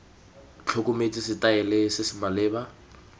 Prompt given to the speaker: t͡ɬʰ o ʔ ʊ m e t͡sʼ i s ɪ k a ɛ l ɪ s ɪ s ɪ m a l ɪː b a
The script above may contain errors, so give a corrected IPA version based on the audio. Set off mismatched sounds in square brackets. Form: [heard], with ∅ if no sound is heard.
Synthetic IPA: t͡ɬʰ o [k] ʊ m e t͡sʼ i s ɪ [t] a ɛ l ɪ s ɪ s ɪ m a l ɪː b a

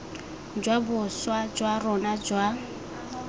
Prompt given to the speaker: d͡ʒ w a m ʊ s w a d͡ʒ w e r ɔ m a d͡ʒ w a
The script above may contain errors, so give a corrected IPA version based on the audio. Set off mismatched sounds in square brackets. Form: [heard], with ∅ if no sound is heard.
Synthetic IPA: d͡ʒ w a [b] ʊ s w a d͡ʒ w [a] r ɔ [n] a d͡ʒ w a

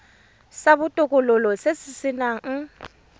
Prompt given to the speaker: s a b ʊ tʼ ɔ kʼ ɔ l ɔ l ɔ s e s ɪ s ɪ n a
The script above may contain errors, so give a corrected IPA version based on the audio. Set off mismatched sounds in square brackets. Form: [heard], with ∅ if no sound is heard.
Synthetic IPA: s a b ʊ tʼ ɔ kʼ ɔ l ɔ l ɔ s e s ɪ s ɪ n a

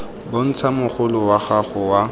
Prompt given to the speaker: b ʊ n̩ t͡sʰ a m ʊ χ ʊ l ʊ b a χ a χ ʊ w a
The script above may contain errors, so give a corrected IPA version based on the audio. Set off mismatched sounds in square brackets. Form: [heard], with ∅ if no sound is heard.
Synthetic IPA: b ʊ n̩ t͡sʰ a m ʊ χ ʊ l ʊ [w] a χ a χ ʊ w a

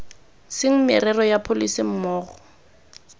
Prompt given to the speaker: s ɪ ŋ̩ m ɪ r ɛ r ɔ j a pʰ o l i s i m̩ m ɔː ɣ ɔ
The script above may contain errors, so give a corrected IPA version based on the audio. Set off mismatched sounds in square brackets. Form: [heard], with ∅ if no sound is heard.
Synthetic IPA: s ɪ ŋ̩ m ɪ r ɛ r ɔ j a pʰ o l i s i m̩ m ɔː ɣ ɔ

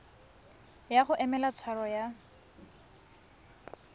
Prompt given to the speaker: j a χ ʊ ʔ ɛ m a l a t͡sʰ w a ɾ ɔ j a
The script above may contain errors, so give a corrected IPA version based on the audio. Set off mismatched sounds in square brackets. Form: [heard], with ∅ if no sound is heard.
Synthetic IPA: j a χ ʊ ʔ ɛ m [ɛ] l a t͡sʰ w a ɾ ɔ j a

